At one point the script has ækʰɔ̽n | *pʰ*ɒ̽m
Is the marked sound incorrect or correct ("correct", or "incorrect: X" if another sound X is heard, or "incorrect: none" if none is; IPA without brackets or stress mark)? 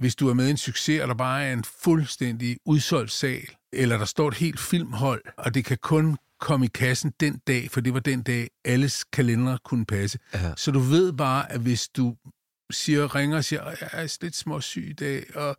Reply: incorrect: kʰ